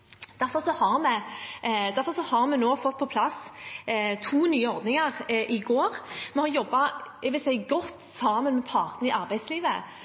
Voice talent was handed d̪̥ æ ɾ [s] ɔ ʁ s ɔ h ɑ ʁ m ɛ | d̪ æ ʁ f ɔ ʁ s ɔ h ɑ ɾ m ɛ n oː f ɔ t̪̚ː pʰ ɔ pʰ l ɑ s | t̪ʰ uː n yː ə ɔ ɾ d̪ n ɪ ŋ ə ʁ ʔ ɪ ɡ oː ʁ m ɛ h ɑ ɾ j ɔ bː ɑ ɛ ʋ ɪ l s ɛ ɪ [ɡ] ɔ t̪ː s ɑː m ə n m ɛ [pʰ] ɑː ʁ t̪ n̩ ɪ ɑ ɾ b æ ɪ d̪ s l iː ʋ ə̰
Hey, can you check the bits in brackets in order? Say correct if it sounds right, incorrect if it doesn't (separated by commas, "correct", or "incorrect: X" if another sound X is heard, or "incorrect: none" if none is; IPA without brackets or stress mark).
incorrect: f, correct, correct